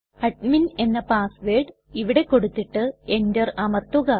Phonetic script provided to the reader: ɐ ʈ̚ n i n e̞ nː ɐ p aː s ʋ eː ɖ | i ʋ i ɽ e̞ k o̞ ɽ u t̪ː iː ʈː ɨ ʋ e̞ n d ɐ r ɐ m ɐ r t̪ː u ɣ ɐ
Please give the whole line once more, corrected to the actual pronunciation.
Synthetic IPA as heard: ɐ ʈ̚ m i n e̞ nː ɐ p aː s ʋ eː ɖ | i ʋ i ɽ e̞ k o̞ ɽ u t̪ː i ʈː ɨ e̞ n d ɐ r ɐ m ɐ r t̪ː u ɣ ɐ